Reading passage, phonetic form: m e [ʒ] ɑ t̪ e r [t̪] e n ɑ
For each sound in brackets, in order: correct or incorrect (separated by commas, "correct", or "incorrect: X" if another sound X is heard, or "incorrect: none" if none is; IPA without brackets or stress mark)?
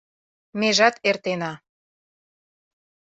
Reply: correct, correct